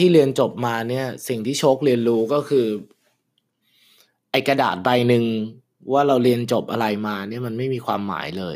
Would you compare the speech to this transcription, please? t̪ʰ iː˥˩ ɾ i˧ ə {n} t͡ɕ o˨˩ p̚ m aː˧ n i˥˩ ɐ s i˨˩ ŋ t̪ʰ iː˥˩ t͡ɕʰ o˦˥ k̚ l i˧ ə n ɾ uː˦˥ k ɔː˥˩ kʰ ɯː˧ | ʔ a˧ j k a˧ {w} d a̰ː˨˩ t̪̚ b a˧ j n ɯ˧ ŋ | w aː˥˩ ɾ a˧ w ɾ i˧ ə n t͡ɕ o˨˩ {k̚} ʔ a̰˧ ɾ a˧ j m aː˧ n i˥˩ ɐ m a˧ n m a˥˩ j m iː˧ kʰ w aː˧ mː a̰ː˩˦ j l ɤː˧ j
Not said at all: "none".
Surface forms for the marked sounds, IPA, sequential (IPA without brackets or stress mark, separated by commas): n, none, p̚